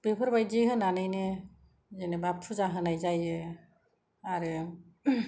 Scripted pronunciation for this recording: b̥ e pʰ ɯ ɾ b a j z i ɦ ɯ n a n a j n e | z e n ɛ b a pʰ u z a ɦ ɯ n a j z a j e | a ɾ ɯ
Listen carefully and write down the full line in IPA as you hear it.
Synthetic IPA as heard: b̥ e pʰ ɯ ɾ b a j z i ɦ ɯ n a n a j n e | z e n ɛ b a pʰ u z a ɦ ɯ n a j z a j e | a ɾ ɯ